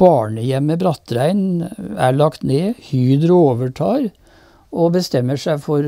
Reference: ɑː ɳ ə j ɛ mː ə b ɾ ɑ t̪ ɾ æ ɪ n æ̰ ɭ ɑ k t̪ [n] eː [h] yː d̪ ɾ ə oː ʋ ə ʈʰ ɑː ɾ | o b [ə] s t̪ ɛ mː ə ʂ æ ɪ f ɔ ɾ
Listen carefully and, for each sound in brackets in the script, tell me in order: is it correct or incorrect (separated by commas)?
correct, correct, correct